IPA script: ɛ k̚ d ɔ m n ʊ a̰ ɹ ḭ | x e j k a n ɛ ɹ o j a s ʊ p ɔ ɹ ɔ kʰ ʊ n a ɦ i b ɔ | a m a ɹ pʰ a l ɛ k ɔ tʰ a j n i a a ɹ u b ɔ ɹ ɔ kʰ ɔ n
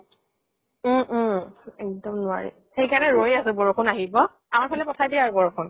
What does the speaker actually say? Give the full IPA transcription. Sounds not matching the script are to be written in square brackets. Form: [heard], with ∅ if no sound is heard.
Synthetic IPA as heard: ɛ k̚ d ɔ m n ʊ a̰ ɹ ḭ | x e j k a n ɛ ɹ o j a s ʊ [b] ɔ ɹ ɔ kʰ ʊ n a ɦ i b ɔ | a m a ɹ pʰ a l ɛ [p] ɔ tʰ a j [d] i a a ɹ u b ɔ ɹ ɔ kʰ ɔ n